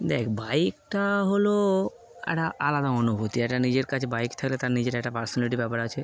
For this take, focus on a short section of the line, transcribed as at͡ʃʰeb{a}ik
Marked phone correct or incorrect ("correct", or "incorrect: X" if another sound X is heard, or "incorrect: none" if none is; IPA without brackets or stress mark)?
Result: correct